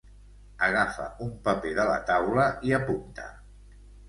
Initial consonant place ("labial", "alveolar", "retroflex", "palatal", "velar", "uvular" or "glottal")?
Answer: velar